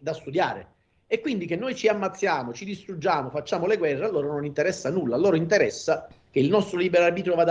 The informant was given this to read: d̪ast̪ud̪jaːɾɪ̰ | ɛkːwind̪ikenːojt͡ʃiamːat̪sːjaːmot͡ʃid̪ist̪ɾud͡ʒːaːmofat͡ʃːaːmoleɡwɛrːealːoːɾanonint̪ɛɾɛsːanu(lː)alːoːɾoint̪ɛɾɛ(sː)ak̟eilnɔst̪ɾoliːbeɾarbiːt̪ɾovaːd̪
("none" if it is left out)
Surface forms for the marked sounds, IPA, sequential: lː, sː

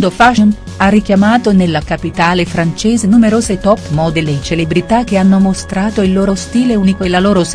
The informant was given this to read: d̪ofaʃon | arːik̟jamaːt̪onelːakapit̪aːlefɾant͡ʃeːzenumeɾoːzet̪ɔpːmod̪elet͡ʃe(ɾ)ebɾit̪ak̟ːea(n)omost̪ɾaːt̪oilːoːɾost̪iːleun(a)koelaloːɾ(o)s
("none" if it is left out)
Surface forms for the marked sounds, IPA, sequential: l, nː, i, o

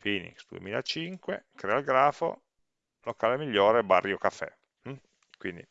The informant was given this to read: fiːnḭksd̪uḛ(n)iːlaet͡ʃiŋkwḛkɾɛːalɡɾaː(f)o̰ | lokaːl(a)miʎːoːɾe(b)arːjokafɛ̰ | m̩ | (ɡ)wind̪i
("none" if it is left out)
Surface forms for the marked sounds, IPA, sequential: m, f, e, b, k

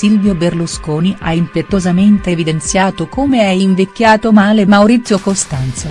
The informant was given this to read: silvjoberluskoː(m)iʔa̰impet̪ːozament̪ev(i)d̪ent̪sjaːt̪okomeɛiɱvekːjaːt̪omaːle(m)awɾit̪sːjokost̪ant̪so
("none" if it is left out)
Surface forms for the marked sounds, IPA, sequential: n, i, m

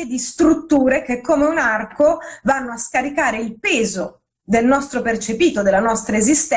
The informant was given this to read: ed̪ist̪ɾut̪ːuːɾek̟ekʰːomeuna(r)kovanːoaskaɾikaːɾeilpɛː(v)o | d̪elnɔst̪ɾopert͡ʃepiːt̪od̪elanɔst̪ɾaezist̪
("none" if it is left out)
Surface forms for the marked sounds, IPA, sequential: r, z

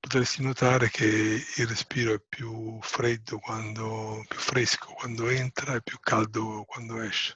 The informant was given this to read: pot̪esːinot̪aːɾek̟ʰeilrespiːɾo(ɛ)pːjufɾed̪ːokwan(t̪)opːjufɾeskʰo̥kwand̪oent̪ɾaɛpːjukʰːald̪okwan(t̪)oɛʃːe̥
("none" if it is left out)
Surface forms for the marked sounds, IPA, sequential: ɛ, d̪, d̪

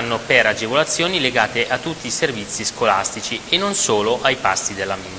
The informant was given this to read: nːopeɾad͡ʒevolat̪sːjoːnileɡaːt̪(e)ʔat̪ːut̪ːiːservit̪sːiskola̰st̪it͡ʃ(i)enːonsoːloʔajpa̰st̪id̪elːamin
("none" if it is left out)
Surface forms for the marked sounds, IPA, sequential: e, i

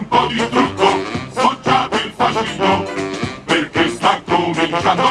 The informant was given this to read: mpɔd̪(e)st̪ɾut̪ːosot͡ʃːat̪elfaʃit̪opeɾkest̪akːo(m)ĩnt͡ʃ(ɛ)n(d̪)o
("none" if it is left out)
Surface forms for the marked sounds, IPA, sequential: i, m, a, d̪

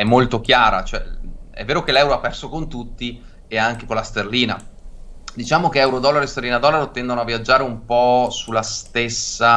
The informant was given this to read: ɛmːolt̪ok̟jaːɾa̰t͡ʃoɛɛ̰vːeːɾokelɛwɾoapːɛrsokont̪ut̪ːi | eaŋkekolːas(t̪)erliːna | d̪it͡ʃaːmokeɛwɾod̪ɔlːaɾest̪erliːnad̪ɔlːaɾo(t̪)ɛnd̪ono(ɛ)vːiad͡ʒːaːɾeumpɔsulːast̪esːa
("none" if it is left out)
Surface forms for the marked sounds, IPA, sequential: t̪, t̪, a

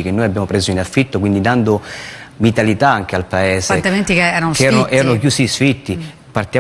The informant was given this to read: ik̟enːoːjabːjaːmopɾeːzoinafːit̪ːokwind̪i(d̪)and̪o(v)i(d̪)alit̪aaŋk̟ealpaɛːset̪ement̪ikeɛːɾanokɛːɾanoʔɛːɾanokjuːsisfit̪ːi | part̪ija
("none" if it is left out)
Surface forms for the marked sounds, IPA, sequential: d̪, v, t̪

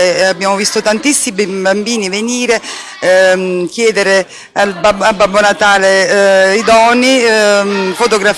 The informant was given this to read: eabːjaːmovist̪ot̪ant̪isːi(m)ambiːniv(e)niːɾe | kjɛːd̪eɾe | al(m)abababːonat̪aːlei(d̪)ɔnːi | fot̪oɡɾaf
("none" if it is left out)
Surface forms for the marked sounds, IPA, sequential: b, e, b, d̪

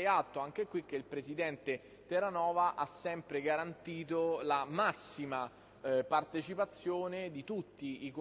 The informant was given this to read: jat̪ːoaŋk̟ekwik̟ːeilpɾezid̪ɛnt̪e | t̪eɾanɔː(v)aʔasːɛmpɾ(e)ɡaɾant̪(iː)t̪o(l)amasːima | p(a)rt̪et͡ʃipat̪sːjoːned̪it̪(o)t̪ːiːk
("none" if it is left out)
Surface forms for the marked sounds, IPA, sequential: v, e, iː, l, a, u

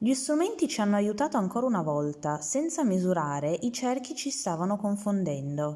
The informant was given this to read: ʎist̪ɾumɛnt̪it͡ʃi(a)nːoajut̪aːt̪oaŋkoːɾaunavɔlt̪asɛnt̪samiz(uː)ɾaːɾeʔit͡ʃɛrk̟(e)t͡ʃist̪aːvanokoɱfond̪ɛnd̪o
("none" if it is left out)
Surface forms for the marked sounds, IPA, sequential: a, u, i

